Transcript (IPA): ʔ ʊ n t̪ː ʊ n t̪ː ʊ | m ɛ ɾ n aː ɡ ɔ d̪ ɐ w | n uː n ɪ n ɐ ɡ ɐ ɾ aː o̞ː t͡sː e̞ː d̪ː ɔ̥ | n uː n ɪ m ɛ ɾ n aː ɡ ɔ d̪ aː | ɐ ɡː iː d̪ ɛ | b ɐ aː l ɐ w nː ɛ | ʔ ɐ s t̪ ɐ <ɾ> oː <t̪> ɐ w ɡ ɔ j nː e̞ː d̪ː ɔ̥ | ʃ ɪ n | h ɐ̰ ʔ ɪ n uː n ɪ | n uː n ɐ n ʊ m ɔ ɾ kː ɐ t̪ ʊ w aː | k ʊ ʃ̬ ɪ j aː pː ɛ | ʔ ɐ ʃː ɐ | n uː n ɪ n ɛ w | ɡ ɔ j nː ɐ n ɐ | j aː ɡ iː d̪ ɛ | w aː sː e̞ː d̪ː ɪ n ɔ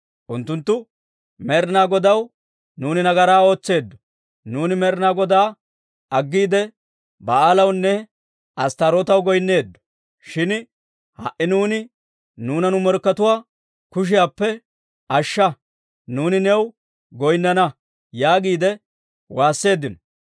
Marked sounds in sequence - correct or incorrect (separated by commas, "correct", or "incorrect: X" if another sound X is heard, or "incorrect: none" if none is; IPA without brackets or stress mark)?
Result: correct, correct